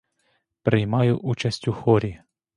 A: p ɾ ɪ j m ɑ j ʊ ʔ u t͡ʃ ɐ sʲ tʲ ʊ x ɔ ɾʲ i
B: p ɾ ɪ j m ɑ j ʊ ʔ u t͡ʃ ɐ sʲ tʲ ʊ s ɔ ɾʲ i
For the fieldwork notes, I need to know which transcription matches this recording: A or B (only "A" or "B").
A